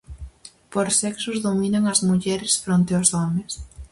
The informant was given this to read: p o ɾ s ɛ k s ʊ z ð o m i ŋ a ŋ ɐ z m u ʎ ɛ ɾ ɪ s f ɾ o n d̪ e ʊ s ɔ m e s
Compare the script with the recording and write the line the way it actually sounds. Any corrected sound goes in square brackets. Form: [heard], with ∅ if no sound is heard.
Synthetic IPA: p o ɾ s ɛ k s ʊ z ð o m i [n] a ŋ ɐ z m u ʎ ɛ ɾ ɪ s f ɾ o n [t̪] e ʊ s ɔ m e s

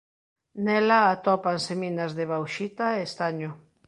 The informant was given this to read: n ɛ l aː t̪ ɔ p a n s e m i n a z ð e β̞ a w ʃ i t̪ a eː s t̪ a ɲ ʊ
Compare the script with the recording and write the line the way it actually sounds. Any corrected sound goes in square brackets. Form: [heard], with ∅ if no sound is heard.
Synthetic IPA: n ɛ l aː t̪ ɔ p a n s e m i n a z ð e β̞ a w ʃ i t̪ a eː s t̪ a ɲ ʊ

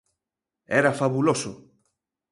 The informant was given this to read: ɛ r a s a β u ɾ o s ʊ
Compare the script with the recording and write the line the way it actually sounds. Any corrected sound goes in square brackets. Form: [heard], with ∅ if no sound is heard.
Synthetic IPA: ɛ [ɾ] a [f] a β u [l] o s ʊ

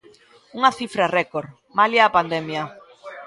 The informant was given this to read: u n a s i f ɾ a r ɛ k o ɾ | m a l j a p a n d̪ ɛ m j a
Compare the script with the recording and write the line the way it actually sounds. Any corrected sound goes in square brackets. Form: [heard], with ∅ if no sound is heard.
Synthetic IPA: u [ŋ] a [θ] i f ɾ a r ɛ k o ɾ | m a l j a p a n d̪ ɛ m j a

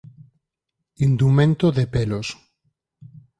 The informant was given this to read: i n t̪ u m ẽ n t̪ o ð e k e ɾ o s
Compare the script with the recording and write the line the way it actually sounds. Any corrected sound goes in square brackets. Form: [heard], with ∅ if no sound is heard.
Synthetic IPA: i n [d̪] u m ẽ n t̪ o ð e [p] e [l] o s

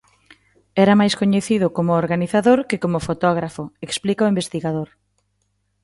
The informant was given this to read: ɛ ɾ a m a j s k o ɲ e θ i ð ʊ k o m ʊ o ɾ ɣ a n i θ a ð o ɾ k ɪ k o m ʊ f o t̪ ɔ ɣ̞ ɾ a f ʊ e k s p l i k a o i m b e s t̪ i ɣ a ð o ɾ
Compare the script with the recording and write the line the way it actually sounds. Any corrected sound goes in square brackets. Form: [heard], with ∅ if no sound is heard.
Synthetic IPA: ɛ ɾ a m a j s k o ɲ e θ i ð ʊ k o m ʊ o ɾ ɣ a n i θ a ð o ɾ k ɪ k o m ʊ f o t̪ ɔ ɣ̞ ɾ a f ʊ e k s p l i k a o i m b e s t̪ i ɣ a ð o ɾ

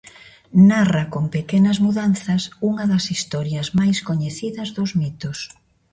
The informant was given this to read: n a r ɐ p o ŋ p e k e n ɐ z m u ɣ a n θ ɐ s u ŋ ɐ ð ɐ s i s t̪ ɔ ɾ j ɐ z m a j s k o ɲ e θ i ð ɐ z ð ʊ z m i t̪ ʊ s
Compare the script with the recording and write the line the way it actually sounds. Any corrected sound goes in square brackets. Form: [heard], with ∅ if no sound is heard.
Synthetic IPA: n a r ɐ [k] o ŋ p e k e n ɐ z m u [ð] a n θ ɐ s u ŋ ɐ ð ɐ s i s t̪ ɔ ɾ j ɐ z m a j s k o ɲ e θ i ð ɐ z ð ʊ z m i t̪ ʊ s

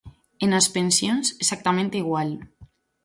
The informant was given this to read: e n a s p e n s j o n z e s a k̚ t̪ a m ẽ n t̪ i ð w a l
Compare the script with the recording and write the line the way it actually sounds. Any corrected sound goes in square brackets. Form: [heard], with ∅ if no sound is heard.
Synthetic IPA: e n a s p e n s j o n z e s a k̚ t̪ a m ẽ n t̪ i [ɣ] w a l

